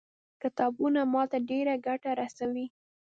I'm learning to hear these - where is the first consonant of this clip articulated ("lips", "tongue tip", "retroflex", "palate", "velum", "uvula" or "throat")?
velum